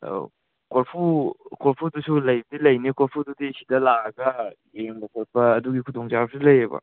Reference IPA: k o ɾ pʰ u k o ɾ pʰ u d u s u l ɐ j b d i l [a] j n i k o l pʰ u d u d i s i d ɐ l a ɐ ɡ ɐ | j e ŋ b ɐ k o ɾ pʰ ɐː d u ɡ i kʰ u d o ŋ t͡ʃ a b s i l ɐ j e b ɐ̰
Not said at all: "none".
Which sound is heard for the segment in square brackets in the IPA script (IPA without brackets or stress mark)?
ɐ